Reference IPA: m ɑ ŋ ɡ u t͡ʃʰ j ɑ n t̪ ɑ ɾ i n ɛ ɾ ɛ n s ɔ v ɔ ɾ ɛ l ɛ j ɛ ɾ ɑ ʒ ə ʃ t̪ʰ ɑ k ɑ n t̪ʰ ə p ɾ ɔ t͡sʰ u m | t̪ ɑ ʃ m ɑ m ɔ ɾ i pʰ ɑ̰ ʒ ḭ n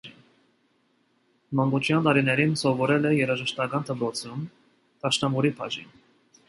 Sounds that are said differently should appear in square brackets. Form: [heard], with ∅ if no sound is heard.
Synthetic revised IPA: m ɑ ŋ ɡ u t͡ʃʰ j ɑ n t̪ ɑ ɾ i n ɛ ɾ [i] n s ɔ v ɔ ɾ ɛ l ɛ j ɛ ɾ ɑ ʒ ə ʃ [t̪] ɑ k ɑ n t̪ʰ ə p ɾ ɔ t͡sʰ u m | t̪ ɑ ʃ [n] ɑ m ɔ ɾ i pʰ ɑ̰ ʒ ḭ n